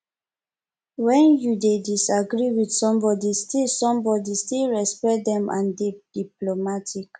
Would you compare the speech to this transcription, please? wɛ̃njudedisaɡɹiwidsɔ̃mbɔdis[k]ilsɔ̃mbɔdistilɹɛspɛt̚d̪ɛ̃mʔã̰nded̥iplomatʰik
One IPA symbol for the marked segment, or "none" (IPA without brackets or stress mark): t